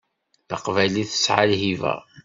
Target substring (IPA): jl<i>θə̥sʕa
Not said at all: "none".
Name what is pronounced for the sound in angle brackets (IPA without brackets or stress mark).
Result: i